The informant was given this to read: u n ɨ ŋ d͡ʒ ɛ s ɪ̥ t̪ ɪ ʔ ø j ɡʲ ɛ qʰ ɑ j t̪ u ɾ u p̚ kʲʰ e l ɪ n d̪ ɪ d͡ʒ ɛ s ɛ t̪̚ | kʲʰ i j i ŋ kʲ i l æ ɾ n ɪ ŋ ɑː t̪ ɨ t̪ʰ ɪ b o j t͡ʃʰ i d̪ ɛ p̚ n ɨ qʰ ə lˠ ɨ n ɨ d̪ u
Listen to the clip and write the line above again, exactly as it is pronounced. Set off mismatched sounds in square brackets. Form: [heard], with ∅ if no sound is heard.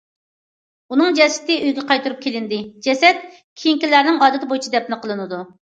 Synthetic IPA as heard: u n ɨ ŋ d͡ʒ ɛ s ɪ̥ t̪ ɪ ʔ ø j ɡʲ ɛ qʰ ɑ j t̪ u ɾ u p̚ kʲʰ e l ɪ n d̪ ɪ d͡ʒ ɛ s ɛ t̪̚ | kʲʰ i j i ŋ kʲ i l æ ɾ n ɪ ŋ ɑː [d̪] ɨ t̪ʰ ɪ b o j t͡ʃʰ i d̪ ɛ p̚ n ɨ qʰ ə lˠ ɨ n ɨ d̪ u